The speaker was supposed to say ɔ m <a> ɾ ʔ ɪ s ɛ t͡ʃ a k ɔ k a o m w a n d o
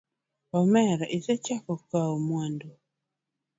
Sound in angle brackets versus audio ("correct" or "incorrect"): incorrect